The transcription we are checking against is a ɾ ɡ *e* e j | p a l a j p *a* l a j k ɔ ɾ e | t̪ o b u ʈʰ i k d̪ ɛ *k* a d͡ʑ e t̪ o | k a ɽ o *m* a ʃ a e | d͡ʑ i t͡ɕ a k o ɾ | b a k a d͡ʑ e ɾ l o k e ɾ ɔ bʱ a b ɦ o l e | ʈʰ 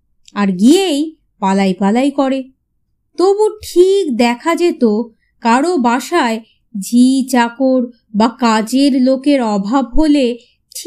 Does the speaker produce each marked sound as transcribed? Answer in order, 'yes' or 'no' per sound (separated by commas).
no, yes, no, no